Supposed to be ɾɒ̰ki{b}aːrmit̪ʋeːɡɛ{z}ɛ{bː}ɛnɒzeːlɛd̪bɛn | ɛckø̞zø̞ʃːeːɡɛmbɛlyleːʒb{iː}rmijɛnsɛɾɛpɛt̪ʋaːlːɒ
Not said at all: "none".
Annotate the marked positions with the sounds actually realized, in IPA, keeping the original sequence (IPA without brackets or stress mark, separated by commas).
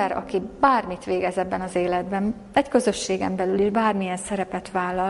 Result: b, z, bː, aː